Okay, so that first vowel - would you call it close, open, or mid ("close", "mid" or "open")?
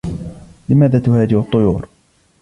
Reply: close